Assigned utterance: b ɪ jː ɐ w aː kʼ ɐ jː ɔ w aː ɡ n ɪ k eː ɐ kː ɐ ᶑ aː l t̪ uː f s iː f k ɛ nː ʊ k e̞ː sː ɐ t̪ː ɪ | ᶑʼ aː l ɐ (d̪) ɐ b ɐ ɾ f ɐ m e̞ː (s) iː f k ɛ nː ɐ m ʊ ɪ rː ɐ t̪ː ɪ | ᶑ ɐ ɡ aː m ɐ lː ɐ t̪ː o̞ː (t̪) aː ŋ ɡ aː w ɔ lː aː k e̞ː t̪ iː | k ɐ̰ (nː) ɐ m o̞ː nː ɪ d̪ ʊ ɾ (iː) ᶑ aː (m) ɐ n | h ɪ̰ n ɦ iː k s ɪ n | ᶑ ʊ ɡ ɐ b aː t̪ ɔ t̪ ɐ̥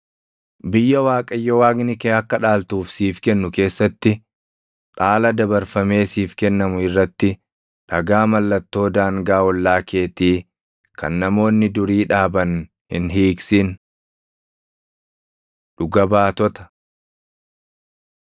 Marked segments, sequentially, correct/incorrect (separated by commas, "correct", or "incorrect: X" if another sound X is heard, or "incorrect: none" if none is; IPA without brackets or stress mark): correct, correct, incorrect: d̪, correct, correct, incorrect: b